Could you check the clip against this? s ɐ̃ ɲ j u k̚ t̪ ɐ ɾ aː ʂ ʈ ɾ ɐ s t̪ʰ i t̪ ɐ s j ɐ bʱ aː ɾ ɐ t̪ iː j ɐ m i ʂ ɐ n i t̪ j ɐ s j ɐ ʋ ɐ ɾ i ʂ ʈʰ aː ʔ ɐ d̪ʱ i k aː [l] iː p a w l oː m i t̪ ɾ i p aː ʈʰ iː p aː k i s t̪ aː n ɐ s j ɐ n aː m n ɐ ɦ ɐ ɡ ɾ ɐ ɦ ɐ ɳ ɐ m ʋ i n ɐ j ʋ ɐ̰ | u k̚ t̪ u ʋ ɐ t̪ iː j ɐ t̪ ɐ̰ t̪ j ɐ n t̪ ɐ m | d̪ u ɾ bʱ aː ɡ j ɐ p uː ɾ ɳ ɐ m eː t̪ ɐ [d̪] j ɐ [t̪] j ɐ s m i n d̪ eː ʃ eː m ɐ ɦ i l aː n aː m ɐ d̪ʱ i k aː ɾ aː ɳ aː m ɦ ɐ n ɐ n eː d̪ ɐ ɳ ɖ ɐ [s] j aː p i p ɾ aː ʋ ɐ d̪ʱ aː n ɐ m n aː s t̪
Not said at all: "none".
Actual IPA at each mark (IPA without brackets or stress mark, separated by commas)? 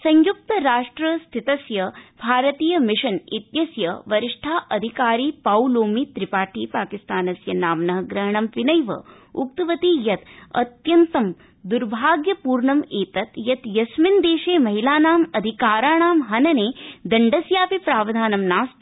ɾ, t̪, t̪, s